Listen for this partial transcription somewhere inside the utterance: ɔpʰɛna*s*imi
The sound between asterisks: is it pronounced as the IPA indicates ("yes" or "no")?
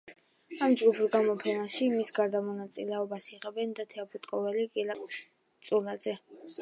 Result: no